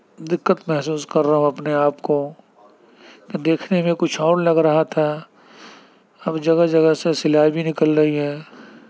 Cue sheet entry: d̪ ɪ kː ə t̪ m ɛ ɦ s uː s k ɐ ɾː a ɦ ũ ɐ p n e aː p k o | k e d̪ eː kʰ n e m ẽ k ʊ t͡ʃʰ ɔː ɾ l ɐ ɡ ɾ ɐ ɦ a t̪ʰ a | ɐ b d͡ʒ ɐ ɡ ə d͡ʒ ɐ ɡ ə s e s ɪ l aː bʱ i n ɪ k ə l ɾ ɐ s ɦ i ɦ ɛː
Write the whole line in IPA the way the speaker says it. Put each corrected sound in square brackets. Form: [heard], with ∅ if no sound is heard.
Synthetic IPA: d̪ ɪ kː ə t̪ m ɛ ɦ s uː s k ɐ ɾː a ɦ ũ ɐ p n e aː p k o | k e d̪ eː kʰ n e m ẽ k ʊ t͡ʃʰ ɔː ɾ l ɐ ɡ ɾ ɐ ɦ a t̪ʰ a | ɐ b d͡ʒ ɐ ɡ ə d͡ʒ ɐ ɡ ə s e s ɪ l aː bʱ i n ɪ k ə l ɾ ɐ [∅] ɦ i ɦ ɛː